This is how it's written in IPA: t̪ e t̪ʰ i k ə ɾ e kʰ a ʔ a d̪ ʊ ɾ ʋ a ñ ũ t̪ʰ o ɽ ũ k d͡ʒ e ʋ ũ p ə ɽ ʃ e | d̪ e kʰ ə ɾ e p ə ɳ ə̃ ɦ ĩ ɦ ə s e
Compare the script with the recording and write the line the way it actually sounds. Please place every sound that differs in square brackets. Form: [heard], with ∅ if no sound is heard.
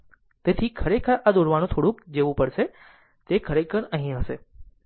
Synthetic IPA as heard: t̪ e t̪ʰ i [kʰ] ə ɾ e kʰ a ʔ a d̪ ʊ ɾ ʋ a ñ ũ t̪ʰ o ɽ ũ k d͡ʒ e ʋ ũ p ə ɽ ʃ e | [t̪] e kʰ ə ɾ e [k] ə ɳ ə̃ ɦ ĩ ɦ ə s e

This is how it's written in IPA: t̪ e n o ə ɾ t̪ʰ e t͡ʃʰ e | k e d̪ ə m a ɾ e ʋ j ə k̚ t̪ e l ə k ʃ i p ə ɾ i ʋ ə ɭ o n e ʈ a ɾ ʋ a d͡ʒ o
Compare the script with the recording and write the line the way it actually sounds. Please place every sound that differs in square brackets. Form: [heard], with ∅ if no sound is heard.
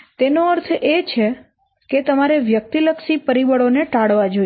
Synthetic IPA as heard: t̪ e n o ə ɾ t̪ʰ e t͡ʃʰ e | k e [t̪] ə m a ɾ e ʋ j ə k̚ t̪ [i] l ə k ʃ i p ə ɾ i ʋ ə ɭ o n e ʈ a [ɽ] ʋ a d͡ʒ o

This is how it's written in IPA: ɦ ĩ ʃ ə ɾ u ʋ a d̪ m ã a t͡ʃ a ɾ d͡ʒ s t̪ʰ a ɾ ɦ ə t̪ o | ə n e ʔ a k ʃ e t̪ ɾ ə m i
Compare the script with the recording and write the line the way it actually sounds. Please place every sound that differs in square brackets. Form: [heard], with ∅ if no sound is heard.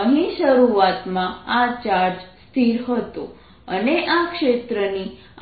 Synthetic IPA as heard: ɦ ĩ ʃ ə ɾ u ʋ a [t̪] m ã a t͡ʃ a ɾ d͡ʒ s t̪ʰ [i] ɾ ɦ ə t̪ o | ə n e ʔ a k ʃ e t̪ ɾ ə [n] i

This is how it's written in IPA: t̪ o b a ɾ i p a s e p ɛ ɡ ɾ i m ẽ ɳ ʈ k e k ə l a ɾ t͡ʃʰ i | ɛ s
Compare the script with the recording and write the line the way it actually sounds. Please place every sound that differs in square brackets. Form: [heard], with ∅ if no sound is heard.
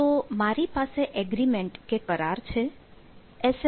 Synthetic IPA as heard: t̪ o [m] a ɾ i p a s e [ʔ] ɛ ɡ ɾ i m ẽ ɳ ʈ k e k ə [ɾ] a ɾ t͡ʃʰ [e] | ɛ s

